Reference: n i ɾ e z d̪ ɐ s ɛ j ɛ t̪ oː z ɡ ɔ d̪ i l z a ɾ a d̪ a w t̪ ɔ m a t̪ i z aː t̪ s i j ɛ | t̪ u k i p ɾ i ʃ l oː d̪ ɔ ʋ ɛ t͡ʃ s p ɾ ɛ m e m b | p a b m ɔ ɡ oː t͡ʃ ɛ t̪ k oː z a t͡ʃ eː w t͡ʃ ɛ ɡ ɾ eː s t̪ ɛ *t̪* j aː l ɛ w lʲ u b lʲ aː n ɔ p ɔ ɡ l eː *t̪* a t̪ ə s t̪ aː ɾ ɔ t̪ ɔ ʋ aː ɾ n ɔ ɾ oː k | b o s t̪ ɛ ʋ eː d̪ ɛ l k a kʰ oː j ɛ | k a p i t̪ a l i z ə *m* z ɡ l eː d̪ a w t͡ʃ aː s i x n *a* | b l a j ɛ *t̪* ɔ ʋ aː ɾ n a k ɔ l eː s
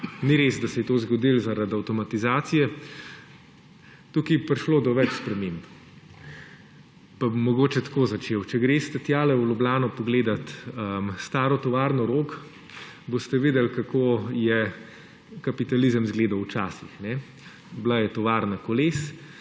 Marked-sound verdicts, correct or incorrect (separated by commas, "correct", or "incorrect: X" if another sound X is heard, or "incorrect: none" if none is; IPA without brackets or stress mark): correct, incorrect: d̪, correct, incorrect: ɛ, correct